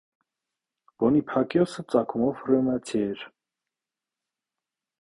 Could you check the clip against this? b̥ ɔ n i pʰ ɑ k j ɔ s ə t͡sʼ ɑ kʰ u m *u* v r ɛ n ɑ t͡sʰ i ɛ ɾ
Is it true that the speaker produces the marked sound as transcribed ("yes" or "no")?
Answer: no